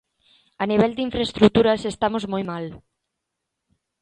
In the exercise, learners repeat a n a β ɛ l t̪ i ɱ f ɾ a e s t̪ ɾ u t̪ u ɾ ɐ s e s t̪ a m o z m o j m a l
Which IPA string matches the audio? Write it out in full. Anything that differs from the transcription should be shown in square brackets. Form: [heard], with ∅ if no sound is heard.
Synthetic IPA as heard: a n [i] β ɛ l [d̪] i ɱ f ɾ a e s t̪ ɾ u t̪ u ɾ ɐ s e s t̪ a m o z m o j m a l